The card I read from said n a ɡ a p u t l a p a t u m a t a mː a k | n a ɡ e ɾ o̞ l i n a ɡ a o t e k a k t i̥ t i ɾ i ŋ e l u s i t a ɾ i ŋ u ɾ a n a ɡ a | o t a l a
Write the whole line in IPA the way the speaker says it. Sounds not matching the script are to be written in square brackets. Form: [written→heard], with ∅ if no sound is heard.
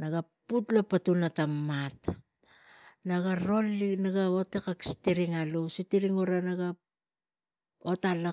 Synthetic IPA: n a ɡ a p u t l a p a t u [m→n] a t a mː a [k→t] | n a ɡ [e→a] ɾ o̞ l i n a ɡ a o t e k a k [t→s] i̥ t i ɾ i ŋ [e→a] l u s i t [a→i] ɾ i ŋ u ɾ a n a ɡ a | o t a l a